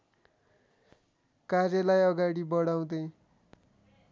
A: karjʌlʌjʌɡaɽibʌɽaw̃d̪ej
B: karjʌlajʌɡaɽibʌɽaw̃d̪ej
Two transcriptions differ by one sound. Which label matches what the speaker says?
B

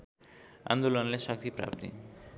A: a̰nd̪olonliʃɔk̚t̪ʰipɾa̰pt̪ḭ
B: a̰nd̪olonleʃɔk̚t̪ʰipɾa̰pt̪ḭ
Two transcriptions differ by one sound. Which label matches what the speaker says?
B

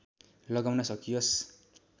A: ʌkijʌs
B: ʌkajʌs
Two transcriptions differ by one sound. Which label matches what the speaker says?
A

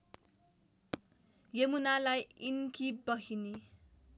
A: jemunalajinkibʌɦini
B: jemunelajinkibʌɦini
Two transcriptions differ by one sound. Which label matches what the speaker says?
A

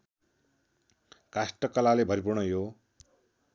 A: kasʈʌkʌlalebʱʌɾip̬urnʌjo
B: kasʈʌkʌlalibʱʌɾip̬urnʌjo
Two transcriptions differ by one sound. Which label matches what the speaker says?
A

